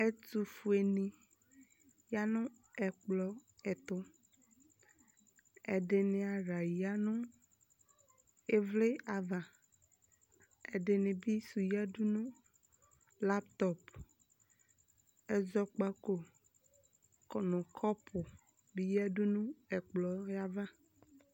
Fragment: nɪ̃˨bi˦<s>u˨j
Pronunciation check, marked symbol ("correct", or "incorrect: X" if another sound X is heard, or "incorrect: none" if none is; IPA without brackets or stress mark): correct